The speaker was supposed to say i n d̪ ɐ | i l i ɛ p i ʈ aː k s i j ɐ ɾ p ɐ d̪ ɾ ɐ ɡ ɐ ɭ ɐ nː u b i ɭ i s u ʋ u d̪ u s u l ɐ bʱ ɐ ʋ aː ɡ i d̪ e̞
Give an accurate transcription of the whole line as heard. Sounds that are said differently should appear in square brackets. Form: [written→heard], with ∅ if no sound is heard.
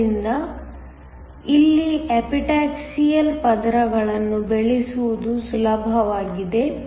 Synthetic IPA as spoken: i n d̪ ɐ | i [l→lː] i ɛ p i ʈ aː k s i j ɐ [ɾ→l] p ɐ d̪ ɾ ɐ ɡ ɐ ɭ ɐ nː u b [i→e] ɭ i s u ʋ u d̪ u s u l ɐ bʱ ɐ ʋ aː ɡ i d̪ e̞